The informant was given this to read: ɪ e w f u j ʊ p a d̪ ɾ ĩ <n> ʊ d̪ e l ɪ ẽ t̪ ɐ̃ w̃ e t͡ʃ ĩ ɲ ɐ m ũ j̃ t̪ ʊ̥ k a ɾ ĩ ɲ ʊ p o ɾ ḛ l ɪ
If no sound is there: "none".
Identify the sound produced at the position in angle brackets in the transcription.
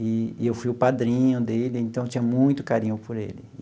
ɲ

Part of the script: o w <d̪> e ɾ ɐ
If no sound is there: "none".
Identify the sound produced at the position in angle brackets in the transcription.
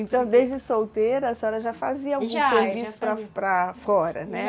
t̪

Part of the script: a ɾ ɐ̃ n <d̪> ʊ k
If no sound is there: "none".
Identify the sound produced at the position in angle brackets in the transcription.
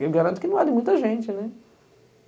t̪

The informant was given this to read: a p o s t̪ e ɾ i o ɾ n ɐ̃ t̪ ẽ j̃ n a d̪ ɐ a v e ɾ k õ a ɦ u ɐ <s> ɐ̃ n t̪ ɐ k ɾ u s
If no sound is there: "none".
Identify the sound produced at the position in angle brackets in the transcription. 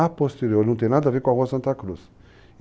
s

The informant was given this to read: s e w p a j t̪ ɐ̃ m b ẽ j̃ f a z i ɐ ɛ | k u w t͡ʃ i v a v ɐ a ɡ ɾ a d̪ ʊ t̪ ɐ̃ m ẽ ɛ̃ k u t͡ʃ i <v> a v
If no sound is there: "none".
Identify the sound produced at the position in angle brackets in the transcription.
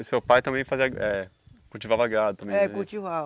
v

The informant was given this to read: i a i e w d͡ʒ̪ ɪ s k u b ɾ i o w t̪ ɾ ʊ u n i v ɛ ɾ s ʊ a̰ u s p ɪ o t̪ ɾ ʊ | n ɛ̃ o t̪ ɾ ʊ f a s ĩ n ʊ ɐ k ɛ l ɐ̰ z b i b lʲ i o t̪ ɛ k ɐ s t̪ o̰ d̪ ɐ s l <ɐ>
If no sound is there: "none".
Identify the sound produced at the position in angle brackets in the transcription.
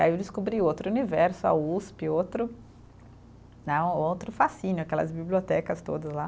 a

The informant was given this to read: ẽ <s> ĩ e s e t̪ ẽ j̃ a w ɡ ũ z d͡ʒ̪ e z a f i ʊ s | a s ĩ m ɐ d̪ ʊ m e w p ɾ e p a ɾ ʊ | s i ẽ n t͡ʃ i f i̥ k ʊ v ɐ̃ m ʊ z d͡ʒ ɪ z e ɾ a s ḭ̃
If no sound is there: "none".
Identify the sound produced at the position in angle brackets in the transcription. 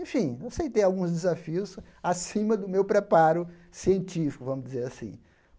f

